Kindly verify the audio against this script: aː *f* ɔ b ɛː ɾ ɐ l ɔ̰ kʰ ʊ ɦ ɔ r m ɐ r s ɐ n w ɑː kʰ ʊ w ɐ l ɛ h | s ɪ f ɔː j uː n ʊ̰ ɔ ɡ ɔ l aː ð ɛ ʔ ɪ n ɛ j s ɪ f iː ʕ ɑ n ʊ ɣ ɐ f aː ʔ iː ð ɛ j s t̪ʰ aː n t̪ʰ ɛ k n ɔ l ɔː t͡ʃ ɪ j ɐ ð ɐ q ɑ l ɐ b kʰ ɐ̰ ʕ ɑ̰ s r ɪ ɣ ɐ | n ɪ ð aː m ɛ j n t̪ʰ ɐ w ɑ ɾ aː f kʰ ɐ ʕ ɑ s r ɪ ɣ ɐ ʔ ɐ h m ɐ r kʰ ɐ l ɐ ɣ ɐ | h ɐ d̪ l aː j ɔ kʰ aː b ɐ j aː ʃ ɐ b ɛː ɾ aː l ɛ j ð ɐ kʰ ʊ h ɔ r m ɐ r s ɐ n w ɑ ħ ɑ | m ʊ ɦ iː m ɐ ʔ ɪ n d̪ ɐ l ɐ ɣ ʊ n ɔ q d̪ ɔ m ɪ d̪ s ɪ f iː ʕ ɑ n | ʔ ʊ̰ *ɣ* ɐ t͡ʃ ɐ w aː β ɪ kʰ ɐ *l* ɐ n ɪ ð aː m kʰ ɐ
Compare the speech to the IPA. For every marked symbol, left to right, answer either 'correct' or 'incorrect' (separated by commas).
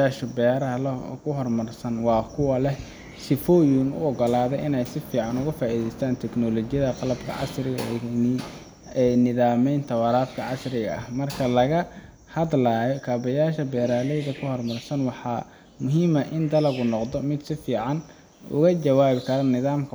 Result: incorrect, correct, incorrect